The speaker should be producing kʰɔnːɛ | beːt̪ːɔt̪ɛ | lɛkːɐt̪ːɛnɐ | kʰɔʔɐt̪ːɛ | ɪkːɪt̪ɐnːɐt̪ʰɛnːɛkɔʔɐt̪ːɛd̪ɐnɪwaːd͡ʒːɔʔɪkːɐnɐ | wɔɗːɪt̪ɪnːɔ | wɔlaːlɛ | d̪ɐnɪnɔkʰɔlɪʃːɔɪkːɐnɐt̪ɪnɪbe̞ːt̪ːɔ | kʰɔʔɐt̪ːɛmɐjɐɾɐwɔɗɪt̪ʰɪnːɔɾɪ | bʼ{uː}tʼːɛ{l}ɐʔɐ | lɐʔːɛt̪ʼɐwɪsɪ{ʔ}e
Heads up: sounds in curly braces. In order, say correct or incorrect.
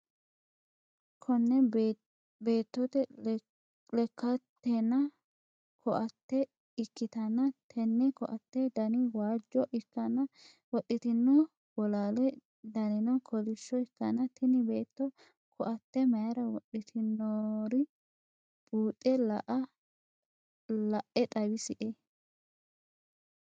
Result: correct, correct, correct

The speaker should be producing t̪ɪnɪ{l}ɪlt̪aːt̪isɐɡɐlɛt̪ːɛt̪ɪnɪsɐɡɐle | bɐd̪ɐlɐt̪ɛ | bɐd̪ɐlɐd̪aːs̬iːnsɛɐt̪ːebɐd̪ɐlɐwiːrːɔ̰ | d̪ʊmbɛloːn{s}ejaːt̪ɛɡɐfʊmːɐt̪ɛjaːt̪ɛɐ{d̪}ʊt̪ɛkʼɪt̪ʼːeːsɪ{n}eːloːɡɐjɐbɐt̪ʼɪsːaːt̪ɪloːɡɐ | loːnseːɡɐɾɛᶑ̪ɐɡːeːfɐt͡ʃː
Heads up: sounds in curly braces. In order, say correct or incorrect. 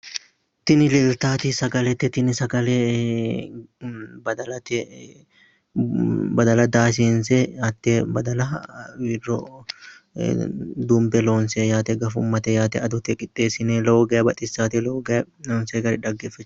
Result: correct, correct, correct, correct

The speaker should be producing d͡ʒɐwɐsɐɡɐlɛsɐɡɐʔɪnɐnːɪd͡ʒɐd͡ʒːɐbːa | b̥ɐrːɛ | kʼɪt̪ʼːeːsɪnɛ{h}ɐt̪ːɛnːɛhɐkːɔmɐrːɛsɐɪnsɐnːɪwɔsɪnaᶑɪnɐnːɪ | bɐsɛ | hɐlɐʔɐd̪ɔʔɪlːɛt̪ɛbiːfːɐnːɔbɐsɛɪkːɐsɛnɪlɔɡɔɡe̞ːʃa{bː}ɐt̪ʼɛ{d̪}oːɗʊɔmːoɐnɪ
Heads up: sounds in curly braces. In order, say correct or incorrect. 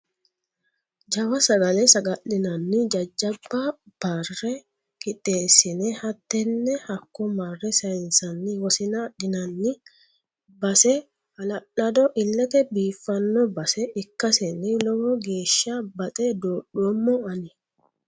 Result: correct, incorrect: b, correct

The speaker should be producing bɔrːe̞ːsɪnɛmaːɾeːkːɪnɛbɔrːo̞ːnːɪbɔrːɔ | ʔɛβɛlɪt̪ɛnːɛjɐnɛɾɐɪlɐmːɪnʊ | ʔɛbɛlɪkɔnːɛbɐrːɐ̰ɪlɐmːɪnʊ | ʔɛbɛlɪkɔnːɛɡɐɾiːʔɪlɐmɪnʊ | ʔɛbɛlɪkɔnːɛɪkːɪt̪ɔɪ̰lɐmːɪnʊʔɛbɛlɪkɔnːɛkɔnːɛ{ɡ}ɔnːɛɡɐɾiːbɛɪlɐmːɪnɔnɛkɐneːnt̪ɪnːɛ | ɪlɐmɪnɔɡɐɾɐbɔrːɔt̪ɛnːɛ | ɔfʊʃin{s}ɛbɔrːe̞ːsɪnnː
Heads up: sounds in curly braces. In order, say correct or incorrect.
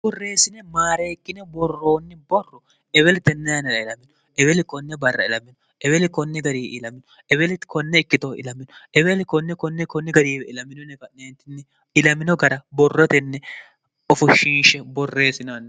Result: incorrect: k, incorrect: ʃ

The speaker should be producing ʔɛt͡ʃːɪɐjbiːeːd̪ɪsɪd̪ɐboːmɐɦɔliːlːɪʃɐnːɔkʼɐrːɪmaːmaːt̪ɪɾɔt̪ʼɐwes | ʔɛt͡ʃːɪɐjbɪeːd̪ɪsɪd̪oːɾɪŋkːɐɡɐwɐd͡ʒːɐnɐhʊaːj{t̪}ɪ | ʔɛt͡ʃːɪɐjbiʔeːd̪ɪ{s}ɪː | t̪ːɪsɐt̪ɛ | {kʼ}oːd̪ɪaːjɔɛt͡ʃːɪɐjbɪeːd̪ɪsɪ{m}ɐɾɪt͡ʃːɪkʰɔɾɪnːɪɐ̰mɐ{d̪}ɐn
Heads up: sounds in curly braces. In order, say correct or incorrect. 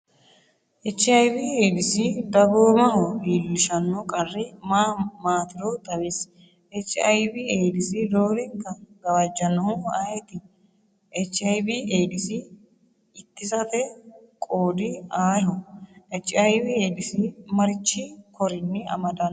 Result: correct, correct, correct, correct, correct

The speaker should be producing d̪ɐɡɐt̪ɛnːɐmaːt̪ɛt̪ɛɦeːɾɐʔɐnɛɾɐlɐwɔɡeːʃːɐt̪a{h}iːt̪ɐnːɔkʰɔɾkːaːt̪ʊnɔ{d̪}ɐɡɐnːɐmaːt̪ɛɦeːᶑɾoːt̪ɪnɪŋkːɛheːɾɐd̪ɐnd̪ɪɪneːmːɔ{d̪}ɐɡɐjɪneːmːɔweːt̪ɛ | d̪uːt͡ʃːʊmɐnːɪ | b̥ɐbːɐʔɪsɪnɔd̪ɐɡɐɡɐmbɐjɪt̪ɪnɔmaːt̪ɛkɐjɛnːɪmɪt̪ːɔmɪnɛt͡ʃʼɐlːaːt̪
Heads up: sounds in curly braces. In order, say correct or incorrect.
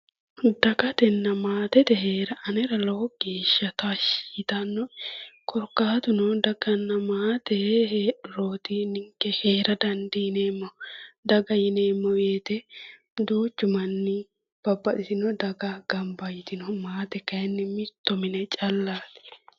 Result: incorrect: ʃ, correct, correct

